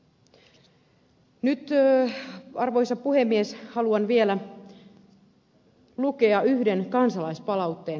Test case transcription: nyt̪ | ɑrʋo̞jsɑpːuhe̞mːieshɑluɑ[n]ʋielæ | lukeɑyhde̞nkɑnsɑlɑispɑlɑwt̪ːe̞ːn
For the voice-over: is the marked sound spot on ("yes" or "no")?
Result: yes